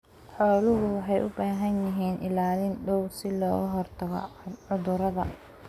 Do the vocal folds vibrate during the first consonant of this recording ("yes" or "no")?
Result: no